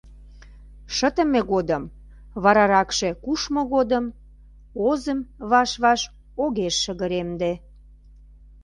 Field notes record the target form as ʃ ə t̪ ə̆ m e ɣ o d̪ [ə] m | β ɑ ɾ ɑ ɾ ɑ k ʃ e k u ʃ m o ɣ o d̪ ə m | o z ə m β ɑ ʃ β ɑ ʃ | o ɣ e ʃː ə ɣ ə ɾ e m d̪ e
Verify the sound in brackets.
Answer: correct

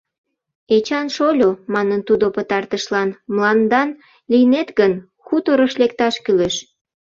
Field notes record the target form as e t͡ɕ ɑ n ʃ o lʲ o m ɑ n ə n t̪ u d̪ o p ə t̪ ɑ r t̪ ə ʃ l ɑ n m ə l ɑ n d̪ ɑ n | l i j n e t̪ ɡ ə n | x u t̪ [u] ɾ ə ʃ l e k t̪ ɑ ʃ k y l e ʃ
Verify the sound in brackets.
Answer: incorrect: o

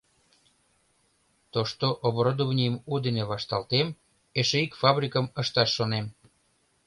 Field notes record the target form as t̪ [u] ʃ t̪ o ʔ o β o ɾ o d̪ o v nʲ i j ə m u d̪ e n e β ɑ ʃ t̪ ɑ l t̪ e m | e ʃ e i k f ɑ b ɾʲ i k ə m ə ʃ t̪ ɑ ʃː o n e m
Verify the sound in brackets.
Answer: incorrect: o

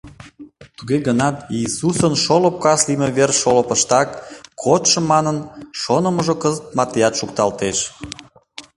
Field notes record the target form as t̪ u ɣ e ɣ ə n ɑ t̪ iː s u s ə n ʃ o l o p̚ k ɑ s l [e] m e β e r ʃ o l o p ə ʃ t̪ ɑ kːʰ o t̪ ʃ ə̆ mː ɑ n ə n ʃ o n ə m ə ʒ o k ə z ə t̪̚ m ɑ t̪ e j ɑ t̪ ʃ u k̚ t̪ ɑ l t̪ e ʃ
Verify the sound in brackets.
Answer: incorrect: i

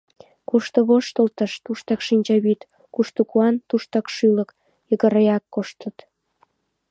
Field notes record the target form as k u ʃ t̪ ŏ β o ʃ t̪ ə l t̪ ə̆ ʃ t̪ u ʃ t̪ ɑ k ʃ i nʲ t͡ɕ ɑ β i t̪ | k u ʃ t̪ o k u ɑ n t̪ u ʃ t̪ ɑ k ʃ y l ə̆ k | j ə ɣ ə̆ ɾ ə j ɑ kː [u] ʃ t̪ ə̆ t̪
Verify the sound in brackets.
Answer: incorrect: o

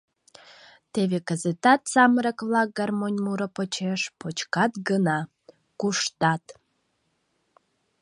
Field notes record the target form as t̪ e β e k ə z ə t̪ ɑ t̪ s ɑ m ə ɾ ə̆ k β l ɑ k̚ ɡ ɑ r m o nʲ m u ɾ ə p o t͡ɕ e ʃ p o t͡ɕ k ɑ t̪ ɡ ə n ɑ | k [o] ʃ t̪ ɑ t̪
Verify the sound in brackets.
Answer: incorrect: u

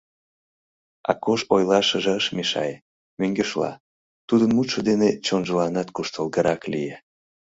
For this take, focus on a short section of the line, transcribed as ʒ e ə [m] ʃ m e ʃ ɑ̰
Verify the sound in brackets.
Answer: incorrect: none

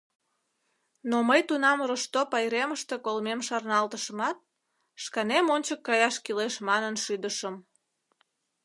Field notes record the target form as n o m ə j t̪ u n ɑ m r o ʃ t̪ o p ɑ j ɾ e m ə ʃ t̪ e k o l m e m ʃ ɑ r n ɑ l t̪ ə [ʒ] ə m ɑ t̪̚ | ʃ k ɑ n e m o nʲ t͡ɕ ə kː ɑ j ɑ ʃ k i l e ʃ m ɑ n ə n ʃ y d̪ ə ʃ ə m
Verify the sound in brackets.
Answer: incorrect: ʃ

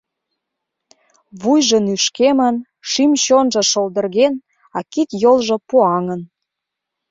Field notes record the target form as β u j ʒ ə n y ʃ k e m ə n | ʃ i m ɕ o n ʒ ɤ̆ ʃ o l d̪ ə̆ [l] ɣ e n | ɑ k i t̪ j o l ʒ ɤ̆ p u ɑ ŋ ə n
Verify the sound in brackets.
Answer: incorrect: r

